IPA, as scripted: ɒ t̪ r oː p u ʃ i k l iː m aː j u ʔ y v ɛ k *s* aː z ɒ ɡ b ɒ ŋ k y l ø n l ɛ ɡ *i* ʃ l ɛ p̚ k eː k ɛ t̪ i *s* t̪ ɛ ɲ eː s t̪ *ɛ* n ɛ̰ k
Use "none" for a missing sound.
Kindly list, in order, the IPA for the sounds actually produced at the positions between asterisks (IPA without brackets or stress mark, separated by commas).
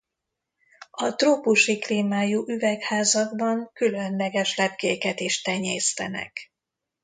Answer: h, ɛ, ʃ, ɛ